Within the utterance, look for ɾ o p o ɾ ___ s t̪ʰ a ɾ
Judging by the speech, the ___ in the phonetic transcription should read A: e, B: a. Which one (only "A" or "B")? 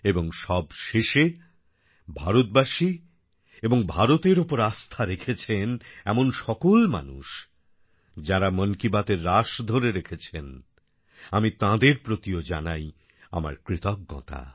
B